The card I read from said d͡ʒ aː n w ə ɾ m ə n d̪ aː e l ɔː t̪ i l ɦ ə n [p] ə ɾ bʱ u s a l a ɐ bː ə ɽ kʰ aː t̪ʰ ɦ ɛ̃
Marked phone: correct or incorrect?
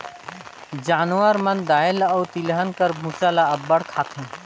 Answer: incorrect